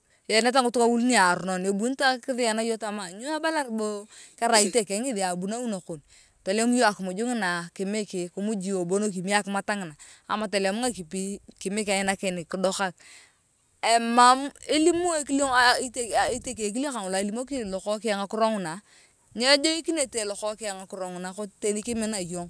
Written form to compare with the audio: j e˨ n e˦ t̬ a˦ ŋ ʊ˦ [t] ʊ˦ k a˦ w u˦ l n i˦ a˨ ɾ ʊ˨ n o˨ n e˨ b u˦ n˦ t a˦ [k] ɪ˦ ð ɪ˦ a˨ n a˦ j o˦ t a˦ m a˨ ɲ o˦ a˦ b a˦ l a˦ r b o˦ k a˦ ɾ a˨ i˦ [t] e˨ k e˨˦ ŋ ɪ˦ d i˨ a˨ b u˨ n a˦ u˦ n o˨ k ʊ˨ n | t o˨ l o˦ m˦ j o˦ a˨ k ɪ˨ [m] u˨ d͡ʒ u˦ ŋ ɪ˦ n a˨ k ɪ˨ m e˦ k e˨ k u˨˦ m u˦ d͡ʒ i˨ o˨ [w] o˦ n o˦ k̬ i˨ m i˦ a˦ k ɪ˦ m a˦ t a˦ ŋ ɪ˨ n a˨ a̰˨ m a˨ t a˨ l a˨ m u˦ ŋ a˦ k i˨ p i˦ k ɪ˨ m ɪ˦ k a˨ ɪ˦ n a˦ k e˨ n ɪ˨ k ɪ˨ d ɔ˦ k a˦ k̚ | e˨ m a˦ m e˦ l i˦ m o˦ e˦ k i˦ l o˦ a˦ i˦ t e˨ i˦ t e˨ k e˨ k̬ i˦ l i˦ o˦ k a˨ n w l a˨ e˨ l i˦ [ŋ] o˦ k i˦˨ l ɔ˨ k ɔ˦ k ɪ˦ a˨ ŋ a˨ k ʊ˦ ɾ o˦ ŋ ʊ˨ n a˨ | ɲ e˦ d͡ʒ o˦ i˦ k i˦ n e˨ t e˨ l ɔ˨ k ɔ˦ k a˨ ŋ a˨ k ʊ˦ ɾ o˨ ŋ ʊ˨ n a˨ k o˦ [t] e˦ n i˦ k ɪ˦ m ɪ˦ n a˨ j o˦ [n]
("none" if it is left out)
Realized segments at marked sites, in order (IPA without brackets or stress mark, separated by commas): t, k, t, m, b, m, t, ŋ